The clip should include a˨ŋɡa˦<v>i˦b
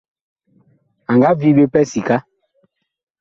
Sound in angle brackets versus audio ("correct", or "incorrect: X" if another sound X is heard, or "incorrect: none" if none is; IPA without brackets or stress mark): correct